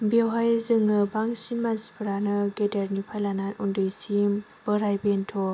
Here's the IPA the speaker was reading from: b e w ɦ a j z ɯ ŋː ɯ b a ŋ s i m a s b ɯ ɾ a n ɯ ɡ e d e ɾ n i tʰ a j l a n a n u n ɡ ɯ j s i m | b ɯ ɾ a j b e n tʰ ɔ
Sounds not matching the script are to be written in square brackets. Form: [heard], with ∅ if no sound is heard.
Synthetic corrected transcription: b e w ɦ a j z ɯ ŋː ɯ b a ŋ s i m a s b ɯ ɾ a n ɯ ɡ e d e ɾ n i [pʰ] a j l a n a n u n [d] ɯ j s i m | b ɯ ɾ a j b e n tʰ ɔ

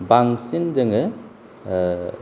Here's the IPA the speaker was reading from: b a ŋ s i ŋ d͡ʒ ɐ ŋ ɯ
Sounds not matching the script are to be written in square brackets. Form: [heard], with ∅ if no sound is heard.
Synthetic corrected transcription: b a ŋ s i [n] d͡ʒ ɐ ŋ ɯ

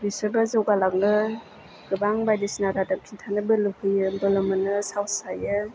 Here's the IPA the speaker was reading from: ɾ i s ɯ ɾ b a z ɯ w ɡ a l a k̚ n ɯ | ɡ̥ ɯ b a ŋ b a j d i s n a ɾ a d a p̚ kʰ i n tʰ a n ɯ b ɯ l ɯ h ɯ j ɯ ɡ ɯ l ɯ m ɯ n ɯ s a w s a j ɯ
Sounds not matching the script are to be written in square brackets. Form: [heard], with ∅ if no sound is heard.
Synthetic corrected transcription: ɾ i s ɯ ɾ b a z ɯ w ɡ a l a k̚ n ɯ | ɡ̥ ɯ b a ŋ b a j d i s n a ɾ a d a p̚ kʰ i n tʰ a n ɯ b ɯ l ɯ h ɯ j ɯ [b] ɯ l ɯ m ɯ n ɯ s a w s a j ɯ

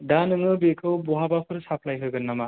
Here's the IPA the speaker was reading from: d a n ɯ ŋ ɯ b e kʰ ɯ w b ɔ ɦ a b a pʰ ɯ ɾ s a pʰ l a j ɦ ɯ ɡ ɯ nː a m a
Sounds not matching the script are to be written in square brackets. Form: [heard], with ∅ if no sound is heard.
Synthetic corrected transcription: d a n ɯ ŋ ɯ b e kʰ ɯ w b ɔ ɦ a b a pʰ ɯ ɾ s a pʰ l a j ɦ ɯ ɡ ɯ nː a m a

